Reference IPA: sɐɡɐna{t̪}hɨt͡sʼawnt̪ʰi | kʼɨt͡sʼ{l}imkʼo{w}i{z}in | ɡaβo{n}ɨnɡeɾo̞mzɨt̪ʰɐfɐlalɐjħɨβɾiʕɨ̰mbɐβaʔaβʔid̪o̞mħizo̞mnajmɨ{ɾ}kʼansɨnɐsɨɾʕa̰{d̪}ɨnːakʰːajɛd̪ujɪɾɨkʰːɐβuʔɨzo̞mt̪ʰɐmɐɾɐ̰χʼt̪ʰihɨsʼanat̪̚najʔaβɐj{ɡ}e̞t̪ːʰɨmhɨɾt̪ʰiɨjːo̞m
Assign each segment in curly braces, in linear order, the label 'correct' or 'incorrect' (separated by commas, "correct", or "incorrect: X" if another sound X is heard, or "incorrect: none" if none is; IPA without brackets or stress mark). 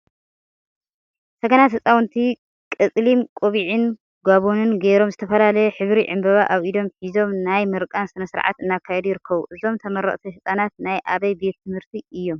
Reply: correct, correct, incorrect: β, incorrect: ʕ, correct, correct, incorrect: t̪, incorrect: b